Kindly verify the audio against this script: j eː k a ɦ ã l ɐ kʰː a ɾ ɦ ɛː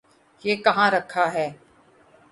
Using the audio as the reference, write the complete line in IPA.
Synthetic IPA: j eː k ɐ ɦ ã ɾ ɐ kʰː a ɦ ɛː